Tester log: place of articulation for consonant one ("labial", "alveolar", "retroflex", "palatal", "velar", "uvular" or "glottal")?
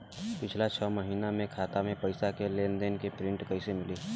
labial